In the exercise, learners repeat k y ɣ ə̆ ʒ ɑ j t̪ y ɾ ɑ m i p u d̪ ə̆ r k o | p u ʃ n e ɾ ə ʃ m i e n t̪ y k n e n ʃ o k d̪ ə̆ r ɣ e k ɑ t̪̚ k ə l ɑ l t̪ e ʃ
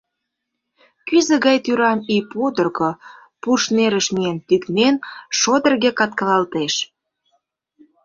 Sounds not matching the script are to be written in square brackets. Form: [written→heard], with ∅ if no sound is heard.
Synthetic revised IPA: k y [ɣ→z] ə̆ [ʒ→ɣ] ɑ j t̪ y ɾ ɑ m i p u d̪ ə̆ r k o | p u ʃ n e ɾ ə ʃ m i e n t̪ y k n e n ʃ o [k→∅] d̪ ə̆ r ɣ e k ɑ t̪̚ k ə l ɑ l t̪ e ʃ